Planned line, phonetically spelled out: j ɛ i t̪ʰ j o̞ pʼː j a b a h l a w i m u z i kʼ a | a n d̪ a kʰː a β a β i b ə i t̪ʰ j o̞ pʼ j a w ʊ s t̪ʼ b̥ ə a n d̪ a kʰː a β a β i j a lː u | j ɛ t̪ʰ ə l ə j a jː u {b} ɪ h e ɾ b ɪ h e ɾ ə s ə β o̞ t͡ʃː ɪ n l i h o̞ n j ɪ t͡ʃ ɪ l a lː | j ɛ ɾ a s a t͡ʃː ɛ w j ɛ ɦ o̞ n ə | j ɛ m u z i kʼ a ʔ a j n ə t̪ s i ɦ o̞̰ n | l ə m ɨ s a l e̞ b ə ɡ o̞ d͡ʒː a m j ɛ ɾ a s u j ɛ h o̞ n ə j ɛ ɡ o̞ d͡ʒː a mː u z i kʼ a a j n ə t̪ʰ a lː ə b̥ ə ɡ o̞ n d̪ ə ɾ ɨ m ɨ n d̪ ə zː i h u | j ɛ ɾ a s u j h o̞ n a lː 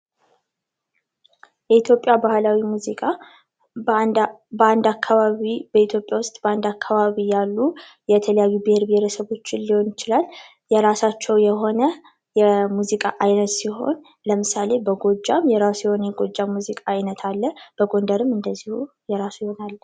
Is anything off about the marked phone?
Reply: no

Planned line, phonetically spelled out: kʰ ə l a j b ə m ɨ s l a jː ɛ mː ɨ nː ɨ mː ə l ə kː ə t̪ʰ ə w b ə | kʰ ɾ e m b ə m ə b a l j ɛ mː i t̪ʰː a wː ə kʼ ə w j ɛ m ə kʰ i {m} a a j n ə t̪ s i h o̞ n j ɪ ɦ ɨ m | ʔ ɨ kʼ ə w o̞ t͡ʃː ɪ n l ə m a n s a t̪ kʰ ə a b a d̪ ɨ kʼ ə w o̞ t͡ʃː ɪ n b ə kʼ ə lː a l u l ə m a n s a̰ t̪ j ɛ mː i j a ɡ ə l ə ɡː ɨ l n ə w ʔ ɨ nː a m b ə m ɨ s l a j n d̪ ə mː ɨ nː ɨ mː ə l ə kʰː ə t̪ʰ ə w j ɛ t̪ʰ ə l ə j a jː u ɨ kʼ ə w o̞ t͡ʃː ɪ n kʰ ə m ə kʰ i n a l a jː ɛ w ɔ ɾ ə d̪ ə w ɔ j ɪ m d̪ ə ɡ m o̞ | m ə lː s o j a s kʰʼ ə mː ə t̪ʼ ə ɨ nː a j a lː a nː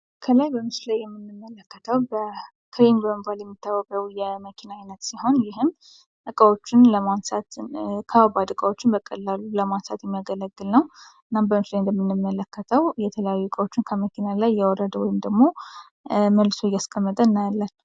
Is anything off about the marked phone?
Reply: yes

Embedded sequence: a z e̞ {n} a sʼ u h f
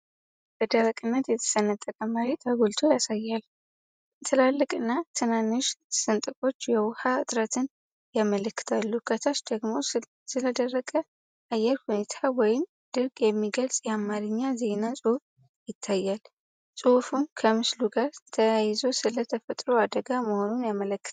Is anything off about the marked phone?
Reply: no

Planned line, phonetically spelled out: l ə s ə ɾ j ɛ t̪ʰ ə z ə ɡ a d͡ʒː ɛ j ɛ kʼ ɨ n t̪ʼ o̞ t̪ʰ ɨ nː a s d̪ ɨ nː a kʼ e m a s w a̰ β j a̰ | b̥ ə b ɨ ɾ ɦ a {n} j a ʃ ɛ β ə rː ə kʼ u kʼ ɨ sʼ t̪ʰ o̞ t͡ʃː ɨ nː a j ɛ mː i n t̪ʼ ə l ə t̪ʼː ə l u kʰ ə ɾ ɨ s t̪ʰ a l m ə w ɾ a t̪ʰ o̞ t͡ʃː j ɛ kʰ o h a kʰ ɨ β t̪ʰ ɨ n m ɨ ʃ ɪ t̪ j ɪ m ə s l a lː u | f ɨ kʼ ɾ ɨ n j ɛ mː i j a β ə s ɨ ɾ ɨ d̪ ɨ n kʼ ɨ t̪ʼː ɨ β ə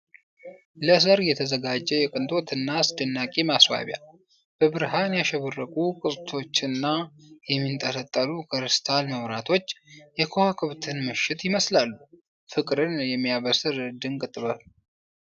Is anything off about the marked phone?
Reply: no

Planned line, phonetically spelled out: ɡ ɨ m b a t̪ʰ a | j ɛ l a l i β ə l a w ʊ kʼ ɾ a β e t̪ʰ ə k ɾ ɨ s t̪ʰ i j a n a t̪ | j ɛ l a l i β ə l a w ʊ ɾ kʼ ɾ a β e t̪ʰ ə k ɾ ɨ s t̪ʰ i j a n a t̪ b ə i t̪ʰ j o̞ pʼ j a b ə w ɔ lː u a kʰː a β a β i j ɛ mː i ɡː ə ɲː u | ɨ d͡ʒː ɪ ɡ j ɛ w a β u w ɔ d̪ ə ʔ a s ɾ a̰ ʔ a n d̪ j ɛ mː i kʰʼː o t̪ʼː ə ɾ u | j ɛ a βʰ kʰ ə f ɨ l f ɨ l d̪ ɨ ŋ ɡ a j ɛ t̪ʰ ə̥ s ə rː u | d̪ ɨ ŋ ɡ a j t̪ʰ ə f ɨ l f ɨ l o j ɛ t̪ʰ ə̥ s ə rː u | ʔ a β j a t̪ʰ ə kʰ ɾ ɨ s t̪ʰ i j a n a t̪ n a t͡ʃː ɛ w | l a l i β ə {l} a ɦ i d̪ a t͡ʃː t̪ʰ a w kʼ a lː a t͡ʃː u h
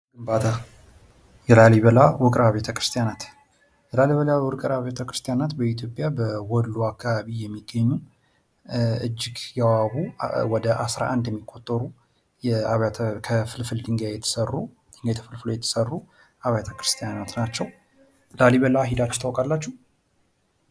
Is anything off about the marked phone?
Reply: no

